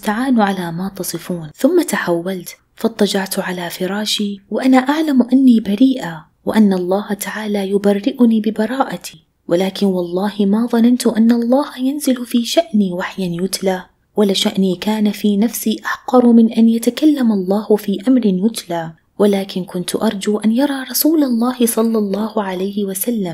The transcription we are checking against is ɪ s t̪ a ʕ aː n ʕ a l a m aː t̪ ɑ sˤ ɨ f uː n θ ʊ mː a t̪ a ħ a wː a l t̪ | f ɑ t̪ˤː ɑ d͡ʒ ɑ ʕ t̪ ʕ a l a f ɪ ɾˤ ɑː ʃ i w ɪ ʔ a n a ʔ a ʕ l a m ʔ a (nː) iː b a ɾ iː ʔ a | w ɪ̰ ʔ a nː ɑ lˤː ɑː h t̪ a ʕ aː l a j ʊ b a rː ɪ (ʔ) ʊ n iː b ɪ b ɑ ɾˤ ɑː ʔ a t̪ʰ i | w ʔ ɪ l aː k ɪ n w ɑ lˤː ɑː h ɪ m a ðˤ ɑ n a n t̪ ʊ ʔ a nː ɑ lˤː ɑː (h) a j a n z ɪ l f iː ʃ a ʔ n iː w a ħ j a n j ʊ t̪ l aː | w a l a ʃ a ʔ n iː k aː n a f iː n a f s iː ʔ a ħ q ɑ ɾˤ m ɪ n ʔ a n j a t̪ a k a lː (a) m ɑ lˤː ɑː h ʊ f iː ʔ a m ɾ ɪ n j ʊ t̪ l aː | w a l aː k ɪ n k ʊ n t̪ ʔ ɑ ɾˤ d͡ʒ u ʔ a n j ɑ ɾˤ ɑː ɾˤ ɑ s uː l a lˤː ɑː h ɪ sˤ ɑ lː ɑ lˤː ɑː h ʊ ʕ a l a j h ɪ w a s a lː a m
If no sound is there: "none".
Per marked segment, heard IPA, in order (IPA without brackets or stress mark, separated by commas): nː, ʔ, h, a